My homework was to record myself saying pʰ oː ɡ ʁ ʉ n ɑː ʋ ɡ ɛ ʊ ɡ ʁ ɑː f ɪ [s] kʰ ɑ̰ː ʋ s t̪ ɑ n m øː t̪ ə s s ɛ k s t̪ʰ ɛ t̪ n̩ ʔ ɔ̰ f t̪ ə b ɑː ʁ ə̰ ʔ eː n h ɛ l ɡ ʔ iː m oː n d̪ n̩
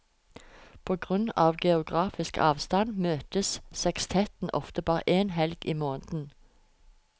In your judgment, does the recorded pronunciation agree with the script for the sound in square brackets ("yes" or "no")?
yes